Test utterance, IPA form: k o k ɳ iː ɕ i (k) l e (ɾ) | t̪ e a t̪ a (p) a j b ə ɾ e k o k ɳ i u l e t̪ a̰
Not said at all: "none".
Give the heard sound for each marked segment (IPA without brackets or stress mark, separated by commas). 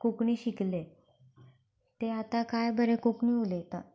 k, none, k